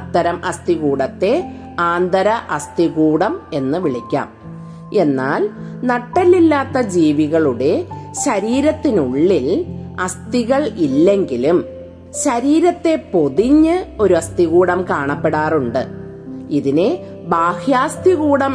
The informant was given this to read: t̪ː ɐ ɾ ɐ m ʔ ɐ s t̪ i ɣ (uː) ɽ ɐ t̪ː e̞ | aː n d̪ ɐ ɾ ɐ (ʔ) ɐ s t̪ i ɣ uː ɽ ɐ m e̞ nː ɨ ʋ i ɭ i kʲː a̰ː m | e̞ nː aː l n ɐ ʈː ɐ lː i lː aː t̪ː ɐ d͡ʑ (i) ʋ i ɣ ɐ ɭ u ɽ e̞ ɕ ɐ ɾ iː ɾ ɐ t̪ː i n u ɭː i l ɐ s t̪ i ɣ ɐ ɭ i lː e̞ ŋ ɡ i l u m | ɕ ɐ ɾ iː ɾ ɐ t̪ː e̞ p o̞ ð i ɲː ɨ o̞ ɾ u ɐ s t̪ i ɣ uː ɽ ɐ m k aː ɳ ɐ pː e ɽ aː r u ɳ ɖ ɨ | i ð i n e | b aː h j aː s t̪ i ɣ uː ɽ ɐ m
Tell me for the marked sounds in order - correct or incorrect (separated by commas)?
correct, correct, incorrect